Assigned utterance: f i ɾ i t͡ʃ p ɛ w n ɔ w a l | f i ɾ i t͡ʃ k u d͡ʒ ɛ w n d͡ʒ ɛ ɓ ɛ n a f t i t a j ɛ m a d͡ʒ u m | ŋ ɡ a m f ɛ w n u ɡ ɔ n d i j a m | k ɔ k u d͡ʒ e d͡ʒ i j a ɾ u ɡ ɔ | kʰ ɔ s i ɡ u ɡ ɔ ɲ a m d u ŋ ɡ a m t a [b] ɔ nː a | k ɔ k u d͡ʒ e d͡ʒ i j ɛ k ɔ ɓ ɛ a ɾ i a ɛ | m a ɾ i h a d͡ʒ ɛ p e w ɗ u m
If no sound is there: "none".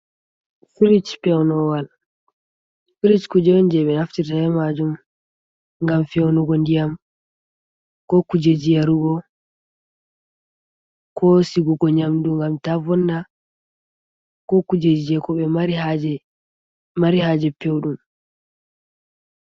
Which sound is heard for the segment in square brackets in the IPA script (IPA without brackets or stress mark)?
v